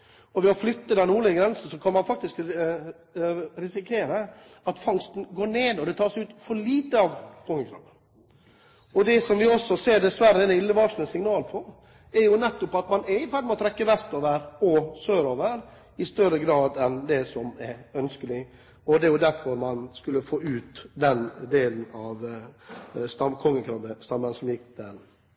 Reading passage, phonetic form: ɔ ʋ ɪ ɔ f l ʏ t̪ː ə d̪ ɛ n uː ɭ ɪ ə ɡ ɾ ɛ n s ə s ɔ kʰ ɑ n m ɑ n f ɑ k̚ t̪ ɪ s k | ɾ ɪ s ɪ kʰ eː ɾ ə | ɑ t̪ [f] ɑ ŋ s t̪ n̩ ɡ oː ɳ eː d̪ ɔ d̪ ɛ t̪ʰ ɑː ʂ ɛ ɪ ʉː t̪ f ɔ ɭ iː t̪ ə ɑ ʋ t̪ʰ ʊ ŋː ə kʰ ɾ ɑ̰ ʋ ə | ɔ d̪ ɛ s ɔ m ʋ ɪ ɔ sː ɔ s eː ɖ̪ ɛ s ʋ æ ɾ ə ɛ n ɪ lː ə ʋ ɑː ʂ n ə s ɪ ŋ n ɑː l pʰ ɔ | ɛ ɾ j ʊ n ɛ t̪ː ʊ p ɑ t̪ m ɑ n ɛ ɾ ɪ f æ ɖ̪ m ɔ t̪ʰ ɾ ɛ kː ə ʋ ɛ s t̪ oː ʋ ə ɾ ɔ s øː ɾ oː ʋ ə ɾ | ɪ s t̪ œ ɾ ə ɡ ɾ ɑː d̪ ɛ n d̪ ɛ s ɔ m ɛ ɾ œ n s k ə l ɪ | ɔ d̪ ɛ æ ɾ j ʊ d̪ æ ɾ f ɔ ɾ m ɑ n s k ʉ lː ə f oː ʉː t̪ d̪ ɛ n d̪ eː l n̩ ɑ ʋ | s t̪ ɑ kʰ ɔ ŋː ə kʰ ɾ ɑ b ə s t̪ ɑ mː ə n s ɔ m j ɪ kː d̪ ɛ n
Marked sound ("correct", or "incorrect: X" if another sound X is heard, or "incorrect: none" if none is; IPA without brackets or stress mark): correct